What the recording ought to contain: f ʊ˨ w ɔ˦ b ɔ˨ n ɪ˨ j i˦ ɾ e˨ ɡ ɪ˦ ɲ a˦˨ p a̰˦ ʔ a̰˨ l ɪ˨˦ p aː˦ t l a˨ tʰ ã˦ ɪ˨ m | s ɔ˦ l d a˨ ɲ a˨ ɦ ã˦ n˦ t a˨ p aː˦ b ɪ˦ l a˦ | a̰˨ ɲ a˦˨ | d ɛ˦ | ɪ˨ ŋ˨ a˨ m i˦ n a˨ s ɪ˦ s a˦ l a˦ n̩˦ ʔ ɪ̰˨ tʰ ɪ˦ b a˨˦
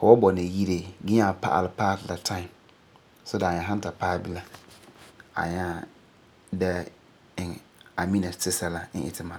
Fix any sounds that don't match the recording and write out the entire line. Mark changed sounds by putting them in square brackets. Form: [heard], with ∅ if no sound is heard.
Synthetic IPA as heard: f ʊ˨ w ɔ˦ b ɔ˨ n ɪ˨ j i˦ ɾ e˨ ɡ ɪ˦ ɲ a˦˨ p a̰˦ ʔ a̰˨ l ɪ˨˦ p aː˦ t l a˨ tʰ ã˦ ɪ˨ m | s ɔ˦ [∅] d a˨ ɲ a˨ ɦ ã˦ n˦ t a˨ p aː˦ b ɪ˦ l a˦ | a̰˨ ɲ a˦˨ | d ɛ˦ | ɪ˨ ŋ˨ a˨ m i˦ n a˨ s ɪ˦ s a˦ l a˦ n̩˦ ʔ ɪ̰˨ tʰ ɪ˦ [m] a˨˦

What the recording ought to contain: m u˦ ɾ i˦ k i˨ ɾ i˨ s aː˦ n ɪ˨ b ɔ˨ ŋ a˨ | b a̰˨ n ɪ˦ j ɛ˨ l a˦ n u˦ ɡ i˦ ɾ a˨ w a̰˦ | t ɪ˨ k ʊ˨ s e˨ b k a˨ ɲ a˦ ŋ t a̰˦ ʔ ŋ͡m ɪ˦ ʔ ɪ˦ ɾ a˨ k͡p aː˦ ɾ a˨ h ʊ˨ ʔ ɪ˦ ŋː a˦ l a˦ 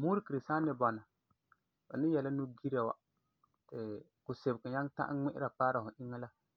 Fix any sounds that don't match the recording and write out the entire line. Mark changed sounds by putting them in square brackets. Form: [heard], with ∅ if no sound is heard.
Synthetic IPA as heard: m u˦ ɾ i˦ k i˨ ɾ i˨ s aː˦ n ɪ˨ b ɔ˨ [n] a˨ | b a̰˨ n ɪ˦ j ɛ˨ l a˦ n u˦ ɡ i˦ ɾ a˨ w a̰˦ | t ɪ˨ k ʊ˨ s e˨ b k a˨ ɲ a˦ ŋ t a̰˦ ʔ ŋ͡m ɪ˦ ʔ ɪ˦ ɾ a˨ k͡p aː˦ ɾ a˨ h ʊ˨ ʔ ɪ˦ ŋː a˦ l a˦

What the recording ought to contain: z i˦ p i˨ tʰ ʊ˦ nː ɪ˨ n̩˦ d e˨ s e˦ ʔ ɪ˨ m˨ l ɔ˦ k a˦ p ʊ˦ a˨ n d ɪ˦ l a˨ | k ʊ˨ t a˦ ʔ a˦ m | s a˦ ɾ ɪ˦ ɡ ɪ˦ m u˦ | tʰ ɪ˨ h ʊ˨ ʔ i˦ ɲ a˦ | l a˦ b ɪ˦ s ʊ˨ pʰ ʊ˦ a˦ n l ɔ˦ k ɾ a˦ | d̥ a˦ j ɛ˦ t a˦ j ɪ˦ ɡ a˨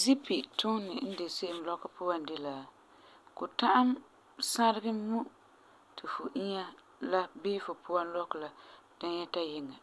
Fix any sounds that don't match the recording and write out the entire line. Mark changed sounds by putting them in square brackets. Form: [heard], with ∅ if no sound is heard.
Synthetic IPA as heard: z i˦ p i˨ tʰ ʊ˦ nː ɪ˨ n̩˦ d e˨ s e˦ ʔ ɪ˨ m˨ l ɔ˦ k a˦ p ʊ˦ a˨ n d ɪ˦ l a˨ | k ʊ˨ t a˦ ʔ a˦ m | s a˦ ɾ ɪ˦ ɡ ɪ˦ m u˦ | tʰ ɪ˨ [f] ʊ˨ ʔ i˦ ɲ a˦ | l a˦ b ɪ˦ [f] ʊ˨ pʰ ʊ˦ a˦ n l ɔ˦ k [l] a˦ | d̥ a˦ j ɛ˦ t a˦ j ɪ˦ [ŋ] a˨

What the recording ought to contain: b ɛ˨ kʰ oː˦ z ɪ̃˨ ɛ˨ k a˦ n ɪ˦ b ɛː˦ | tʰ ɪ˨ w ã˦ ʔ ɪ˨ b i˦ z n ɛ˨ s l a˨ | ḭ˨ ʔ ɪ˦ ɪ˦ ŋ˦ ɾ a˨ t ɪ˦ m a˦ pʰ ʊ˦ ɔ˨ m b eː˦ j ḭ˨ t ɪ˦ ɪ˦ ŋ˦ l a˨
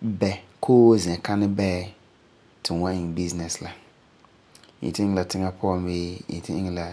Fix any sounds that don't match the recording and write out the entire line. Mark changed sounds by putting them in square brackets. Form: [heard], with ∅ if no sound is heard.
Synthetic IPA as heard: b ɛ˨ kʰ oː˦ z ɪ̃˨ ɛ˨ k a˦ n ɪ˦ b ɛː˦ | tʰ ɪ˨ w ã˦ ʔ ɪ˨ b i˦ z n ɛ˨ s l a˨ | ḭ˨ [t] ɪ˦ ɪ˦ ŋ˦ [l] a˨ t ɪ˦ [ŋ] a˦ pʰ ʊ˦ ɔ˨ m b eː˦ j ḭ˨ t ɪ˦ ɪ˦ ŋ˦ l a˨

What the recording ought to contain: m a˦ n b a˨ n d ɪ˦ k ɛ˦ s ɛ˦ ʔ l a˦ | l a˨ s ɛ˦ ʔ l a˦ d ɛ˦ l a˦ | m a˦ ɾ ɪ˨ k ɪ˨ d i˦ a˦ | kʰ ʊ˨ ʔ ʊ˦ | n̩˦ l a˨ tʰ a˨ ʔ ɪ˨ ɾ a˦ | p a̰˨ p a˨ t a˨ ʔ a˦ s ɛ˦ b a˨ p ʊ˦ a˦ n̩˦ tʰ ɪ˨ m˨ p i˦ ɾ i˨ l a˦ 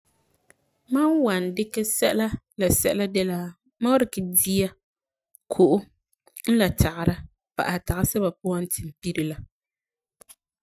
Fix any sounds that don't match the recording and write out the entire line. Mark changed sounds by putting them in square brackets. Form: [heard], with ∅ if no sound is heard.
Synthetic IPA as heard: m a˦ n [w] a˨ n d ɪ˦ k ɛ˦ s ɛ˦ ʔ l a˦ | l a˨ s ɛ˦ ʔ l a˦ d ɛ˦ l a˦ | m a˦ ɾ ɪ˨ k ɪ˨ d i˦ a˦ | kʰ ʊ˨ ʔ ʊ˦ | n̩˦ l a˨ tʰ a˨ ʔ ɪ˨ ɾ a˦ | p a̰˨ [ʔ] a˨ t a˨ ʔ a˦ s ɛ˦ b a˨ p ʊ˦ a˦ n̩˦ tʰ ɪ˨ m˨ p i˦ ɾ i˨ l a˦

